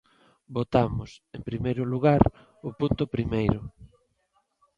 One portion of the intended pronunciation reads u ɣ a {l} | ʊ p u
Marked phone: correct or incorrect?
incorrect